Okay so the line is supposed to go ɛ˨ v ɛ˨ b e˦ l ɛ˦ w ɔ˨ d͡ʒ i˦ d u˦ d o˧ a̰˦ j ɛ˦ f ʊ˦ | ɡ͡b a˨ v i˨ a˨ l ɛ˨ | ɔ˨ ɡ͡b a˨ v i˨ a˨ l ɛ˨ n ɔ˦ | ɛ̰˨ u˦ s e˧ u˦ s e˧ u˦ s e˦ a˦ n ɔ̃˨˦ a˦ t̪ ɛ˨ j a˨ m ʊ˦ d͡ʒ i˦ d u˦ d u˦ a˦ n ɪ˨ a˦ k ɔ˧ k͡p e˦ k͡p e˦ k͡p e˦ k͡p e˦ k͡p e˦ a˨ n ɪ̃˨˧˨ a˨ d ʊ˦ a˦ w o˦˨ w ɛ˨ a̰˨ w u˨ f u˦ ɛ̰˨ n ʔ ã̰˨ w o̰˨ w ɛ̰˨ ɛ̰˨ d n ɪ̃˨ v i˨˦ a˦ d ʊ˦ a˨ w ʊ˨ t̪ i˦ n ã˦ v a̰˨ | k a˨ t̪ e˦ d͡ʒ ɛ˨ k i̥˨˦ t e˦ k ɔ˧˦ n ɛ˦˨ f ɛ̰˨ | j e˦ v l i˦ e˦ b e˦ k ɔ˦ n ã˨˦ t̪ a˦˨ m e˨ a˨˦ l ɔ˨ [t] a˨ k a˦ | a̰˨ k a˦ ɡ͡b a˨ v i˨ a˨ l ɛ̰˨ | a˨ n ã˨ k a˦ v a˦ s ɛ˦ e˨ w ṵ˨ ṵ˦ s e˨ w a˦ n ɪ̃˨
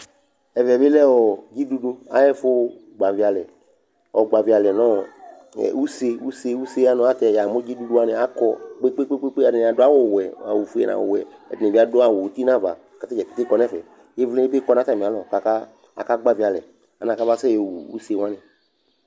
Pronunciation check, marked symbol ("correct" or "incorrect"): incorrect